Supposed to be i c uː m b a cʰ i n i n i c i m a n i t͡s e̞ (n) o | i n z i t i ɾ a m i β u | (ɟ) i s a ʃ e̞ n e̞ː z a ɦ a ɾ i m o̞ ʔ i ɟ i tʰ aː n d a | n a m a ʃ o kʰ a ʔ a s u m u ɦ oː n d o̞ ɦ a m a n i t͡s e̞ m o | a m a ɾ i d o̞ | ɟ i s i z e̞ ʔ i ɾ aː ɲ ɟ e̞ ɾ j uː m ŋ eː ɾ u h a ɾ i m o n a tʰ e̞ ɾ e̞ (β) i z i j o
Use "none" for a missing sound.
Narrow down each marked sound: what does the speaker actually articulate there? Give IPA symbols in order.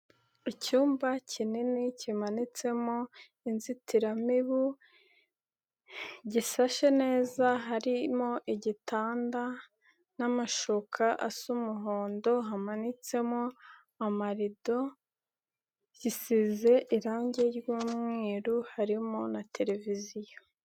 m, ɟ, v

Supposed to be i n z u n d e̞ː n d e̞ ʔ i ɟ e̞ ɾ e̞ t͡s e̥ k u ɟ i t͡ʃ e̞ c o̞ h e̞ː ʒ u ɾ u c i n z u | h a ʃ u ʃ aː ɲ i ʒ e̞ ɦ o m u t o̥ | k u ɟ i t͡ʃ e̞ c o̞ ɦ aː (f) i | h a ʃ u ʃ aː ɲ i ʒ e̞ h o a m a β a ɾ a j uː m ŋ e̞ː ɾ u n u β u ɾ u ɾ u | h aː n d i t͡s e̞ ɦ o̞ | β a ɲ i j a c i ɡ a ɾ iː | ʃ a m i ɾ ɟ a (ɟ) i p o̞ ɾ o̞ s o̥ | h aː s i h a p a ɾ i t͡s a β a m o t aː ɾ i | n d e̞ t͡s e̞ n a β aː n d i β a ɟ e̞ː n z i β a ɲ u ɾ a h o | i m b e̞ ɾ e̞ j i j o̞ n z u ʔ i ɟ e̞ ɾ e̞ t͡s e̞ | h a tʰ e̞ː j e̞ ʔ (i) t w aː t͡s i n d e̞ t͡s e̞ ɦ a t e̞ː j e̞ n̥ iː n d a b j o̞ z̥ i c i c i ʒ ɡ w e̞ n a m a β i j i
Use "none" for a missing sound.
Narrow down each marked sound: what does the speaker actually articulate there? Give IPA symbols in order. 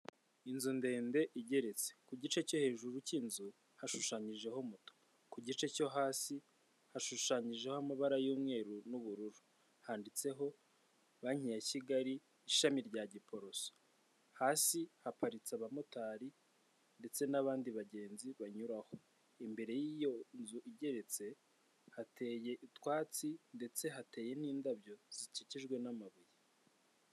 s, ɟ, i

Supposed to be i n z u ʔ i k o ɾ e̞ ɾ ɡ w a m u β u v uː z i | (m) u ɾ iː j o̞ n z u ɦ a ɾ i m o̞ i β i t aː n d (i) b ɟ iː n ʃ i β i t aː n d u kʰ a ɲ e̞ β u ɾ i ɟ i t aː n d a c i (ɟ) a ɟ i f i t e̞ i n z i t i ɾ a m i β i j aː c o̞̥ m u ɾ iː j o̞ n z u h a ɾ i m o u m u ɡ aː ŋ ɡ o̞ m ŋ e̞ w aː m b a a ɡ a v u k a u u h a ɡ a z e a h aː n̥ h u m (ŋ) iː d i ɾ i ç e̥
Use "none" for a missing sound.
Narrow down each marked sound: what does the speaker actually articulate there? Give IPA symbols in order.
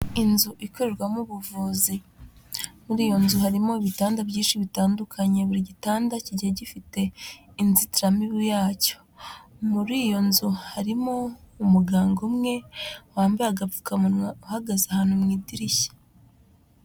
m, a, ɟ, ŋ

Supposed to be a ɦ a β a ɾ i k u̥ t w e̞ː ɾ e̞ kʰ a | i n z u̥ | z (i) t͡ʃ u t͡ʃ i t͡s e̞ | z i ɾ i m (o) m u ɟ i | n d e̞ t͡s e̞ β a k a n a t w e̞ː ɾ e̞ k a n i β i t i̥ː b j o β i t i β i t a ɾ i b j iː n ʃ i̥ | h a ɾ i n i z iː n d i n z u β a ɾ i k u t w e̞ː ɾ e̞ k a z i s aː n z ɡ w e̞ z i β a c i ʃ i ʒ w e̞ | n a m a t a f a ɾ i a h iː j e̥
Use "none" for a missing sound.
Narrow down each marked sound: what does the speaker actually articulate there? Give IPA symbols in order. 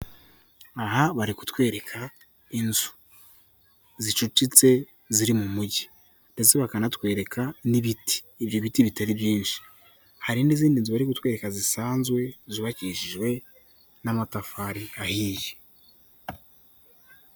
i, u

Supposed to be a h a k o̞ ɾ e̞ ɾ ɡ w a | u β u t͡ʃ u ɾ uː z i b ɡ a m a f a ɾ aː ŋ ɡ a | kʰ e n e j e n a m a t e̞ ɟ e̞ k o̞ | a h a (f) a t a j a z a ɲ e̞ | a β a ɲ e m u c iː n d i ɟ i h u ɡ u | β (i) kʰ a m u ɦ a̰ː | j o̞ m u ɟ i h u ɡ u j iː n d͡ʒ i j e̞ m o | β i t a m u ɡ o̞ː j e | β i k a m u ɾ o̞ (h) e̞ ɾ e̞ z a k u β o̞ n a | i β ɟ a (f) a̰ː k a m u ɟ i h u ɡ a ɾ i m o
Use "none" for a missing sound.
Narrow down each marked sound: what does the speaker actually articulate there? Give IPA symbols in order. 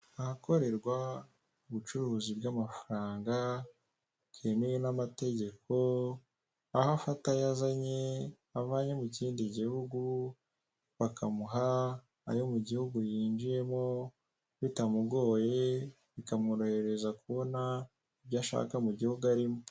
f, a, h, ʃ

